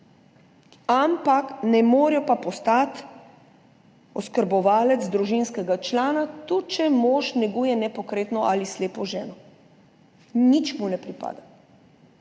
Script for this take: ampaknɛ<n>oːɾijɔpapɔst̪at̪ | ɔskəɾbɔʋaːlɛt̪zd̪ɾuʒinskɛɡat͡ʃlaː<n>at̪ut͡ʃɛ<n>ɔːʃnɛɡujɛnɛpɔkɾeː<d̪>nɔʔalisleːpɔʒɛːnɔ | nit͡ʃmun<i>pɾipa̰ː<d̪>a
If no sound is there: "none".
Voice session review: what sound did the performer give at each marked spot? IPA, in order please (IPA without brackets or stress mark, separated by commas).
m, n, m, t̪, ɛ, d̪